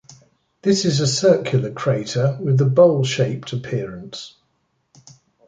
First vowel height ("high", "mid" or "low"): high